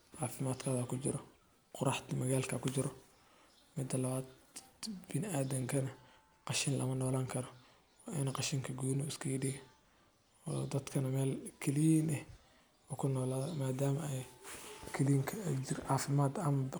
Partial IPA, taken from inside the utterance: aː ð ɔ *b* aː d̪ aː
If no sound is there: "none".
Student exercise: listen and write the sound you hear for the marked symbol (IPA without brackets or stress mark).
m